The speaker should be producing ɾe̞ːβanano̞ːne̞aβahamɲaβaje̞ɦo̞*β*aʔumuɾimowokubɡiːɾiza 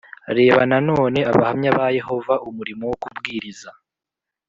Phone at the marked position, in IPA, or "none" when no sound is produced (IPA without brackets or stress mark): v